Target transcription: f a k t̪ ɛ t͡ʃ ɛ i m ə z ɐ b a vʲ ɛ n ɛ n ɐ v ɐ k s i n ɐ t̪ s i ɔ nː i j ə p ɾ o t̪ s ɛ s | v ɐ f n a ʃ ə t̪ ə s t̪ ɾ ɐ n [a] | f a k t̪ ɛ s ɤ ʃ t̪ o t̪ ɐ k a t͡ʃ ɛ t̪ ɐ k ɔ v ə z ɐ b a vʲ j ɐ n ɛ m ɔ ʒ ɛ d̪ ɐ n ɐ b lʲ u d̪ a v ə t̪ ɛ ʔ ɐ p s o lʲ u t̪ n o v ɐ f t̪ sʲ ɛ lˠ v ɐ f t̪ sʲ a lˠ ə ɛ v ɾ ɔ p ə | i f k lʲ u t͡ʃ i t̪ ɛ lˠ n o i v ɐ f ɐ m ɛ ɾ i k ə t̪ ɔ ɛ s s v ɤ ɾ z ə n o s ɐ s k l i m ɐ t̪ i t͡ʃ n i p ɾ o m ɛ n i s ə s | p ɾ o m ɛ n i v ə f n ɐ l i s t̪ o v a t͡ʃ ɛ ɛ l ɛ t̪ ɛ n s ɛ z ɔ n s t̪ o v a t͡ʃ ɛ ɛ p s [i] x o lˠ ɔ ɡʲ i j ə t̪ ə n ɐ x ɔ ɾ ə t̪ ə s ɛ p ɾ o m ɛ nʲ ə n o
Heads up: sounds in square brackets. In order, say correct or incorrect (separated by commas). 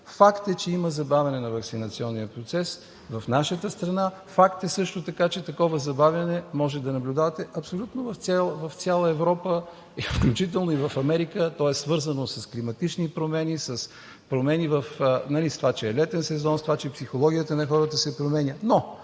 correct, correct